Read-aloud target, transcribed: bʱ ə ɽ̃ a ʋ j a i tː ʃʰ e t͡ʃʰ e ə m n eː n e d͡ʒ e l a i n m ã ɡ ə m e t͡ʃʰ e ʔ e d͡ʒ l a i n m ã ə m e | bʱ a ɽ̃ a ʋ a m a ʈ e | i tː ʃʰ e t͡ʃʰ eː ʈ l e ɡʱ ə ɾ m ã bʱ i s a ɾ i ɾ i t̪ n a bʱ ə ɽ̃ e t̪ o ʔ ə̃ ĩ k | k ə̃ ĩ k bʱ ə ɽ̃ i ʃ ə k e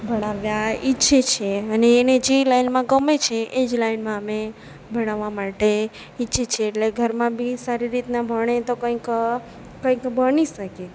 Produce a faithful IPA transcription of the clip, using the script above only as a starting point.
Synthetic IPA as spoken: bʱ ə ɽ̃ a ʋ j a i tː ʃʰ e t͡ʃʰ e ə n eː n e d͡ʒ e l a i n m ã ɡ ə m e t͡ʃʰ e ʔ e d͡ʒ l a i n m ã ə m e | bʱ ə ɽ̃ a ʋ a m a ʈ e | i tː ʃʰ e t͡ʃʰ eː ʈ l e ɡʱ ə ɾ m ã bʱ i s a ɾ i ɾ i t̪ n a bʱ ə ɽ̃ e t̪ o k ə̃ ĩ k | k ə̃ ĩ k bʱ ə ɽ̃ i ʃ ə k e